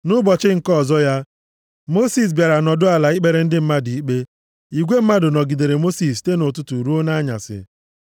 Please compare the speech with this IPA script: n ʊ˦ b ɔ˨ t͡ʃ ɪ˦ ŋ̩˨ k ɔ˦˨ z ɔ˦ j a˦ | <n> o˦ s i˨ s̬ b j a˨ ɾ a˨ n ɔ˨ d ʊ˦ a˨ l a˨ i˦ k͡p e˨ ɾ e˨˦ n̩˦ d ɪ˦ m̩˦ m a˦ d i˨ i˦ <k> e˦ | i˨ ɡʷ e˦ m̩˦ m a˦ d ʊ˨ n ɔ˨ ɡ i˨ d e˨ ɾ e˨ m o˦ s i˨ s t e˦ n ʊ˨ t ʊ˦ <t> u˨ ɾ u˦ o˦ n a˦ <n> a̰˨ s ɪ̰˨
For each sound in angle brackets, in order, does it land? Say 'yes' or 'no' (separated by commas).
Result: no, no, yes, no